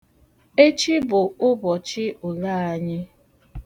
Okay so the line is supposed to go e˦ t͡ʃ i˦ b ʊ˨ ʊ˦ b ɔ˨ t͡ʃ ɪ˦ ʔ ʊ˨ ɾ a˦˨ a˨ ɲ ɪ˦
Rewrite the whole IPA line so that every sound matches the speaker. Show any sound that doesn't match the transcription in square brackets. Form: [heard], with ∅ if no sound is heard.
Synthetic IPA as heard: e˦ t͡ʃ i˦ b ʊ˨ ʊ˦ b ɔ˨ t͡ʃ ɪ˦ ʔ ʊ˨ [l] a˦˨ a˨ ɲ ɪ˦